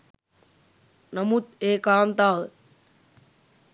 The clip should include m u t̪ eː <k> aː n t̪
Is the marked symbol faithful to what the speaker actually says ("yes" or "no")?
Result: yes